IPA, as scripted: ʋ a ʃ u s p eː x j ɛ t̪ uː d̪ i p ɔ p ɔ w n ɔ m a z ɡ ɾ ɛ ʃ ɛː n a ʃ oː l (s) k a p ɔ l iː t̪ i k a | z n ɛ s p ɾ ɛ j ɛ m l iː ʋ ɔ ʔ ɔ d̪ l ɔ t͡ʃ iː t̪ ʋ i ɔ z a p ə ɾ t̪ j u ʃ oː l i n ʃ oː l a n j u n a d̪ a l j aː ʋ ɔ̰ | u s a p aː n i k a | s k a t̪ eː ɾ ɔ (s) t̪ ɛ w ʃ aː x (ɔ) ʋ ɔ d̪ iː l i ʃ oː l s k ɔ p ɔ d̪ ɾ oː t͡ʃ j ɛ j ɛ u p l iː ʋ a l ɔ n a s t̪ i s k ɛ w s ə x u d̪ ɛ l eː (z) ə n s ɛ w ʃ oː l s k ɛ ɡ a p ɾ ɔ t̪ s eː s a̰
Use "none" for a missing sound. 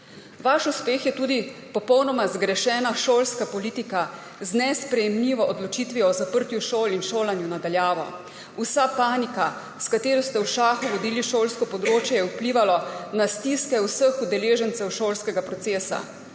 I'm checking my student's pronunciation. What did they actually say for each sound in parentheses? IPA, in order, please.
s, s, u, ʒ

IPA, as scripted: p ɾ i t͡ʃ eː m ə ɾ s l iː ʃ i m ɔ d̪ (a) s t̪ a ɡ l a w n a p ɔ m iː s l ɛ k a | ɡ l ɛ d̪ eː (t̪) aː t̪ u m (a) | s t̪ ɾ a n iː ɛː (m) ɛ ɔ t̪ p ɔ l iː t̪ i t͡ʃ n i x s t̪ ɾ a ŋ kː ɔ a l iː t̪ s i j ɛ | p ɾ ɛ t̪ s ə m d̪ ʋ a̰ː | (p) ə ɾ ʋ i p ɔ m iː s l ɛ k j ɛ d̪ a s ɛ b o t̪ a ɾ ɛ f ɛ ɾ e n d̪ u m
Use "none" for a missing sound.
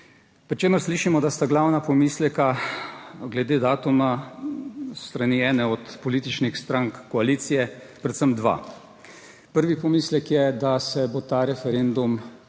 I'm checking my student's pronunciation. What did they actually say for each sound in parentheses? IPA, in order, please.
a, d̪, a, n, p

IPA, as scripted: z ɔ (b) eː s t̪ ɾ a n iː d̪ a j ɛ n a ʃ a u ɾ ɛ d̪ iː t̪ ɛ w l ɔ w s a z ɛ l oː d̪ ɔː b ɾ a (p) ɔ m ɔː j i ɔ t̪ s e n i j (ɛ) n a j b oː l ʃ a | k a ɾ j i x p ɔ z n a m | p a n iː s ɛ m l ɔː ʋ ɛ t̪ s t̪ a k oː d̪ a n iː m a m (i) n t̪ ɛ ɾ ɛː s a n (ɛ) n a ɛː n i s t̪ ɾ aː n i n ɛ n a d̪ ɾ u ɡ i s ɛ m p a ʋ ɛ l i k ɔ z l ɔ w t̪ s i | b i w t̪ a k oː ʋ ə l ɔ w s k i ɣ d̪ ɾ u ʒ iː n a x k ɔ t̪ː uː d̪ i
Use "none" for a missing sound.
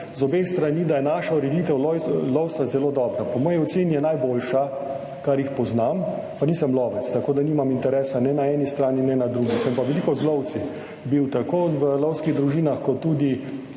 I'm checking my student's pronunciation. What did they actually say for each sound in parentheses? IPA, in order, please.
b, p, ɛ, i, ɛ

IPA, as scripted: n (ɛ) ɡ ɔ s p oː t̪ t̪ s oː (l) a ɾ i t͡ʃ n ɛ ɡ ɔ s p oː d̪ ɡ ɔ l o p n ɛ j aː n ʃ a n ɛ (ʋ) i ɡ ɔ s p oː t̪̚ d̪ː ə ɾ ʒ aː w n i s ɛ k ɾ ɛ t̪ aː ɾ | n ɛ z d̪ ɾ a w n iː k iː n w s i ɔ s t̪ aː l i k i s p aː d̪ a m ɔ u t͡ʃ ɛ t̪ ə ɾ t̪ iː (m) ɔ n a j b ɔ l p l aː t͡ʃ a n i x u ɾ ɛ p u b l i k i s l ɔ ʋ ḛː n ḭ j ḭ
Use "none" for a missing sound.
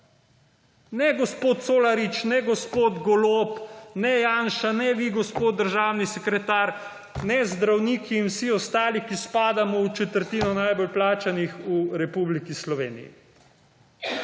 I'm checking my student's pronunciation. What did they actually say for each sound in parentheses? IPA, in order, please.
ɛ, l, ʋ, n

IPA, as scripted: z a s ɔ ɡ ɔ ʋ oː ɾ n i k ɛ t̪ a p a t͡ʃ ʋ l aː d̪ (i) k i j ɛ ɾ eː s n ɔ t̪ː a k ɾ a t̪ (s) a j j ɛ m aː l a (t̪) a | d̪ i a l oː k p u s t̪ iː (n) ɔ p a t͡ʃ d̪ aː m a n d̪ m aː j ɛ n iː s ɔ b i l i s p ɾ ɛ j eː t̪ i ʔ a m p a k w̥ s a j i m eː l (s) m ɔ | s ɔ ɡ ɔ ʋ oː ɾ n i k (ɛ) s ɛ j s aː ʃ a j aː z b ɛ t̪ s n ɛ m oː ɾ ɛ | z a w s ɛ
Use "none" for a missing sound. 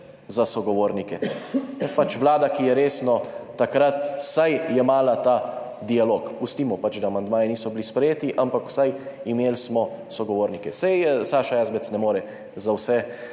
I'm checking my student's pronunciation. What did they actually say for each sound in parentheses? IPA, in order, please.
a, s, t̪, m, s, ɛ

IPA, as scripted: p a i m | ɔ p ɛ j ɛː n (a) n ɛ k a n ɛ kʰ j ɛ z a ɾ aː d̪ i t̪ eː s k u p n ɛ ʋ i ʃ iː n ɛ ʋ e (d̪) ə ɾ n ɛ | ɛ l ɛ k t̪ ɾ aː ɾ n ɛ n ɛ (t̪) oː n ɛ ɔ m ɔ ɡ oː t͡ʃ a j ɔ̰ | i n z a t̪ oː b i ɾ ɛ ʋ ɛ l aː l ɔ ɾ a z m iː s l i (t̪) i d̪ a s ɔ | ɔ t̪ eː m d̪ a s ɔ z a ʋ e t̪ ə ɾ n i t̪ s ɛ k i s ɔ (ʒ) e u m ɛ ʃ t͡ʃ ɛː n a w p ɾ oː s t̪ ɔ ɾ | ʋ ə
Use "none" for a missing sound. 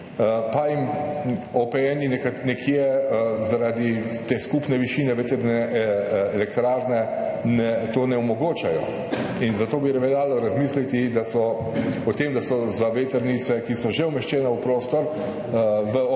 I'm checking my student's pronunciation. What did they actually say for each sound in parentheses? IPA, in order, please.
i, t̪, t̪, t̪, ʒ

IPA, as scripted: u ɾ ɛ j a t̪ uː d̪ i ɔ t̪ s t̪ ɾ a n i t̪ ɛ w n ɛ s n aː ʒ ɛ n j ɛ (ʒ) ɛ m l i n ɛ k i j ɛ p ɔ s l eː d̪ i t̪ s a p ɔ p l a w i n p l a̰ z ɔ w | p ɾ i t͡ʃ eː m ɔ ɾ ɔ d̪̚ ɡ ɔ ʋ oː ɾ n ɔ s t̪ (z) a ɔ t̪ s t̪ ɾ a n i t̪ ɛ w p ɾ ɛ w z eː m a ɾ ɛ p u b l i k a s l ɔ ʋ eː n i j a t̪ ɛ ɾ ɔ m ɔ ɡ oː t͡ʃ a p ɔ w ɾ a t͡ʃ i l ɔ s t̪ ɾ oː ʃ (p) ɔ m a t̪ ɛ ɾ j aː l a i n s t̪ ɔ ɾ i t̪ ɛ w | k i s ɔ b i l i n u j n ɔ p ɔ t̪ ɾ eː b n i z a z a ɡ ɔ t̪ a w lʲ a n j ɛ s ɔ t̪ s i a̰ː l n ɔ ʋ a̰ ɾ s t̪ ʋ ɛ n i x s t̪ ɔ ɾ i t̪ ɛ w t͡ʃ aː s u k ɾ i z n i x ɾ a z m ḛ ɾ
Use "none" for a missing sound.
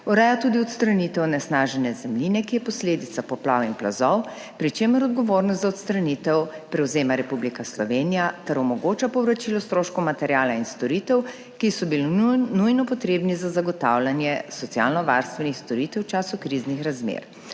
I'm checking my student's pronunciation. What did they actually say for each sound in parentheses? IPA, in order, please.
z, z, k

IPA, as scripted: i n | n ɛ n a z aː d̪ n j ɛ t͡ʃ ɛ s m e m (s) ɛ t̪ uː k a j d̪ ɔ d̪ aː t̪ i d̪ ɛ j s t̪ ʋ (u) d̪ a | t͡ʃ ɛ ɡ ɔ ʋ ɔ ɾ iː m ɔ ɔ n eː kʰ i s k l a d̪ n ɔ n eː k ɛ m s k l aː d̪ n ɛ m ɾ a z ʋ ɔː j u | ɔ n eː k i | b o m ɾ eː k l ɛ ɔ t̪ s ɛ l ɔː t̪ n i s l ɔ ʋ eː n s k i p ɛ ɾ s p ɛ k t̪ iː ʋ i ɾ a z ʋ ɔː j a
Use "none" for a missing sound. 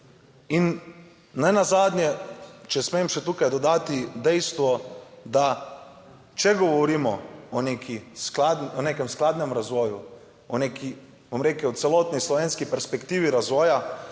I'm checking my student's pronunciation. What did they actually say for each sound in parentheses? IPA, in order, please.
ʃ, ɔ

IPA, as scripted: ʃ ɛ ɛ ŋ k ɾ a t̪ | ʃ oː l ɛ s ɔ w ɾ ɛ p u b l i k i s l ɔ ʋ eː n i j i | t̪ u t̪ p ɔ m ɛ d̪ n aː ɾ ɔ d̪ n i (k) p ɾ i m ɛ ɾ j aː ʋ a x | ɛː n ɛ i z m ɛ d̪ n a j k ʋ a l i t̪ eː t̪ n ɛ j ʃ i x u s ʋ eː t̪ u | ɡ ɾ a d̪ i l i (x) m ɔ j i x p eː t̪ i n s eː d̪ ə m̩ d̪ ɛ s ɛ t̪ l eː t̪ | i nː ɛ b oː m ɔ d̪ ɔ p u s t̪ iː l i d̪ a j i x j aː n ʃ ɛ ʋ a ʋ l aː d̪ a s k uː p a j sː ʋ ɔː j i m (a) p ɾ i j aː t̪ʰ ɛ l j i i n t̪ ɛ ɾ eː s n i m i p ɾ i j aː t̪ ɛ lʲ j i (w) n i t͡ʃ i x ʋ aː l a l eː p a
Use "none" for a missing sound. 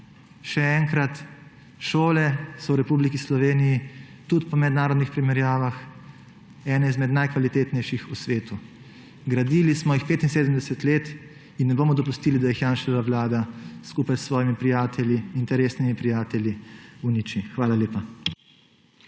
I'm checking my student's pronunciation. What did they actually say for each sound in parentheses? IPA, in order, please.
x, s, i, u

